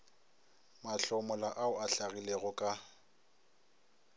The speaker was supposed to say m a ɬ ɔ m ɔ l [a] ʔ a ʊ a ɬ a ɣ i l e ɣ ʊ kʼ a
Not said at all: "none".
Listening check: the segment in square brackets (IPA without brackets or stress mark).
a